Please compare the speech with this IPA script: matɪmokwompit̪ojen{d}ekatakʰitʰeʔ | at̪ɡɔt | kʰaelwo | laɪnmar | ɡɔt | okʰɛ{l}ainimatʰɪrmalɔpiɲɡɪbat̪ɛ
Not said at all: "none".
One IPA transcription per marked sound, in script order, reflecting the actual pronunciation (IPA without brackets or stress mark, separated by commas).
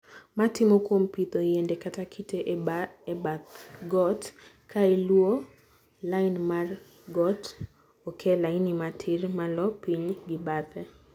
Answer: d, l